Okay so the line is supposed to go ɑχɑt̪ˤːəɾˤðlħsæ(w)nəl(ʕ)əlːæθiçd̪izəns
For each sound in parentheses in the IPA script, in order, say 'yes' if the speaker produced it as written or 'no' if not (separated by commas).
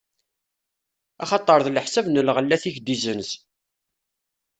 no, no